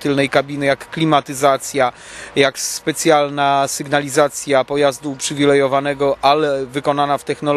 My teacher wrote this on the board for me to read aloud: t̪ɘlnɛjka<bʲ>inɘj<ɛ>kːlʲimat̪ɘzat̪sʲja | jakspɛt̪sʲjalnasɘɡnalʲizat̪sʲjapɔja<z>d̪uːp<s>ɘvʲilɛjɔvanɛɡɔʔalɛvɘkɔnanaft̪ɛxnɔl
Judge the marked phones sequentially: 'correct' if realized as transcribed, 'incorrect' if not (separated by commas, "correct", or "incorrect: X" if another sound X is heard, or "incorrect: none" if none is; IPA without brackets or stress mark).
correct, incorrect: a, correct, incorrect: ʂ